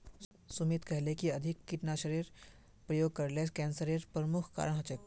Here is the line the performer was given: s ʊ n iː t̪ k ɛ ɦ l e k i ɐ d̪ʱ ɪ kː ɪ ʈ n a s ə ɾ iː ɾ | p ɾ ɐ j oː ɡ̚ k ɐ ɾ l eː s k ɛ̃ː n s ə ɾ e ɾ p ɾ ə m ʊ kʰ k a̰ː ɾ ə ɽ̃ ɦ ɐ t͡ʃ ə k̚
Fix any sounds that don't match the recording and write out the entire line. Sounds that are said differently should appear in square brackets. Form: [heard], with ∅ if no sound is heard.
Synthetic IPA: s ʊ [m] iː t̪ k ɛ ɦ l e k i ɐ d̪ʱ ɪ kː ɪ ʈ n a [ʃ] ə ɾ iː ɾ | p ɾ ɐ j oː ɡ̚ k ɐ ɾ l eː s k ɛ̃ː n s ə ɾ e ɾ p ɾ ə m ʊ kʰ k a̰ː ɾ ə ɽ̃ ɦ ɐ t͡ʃ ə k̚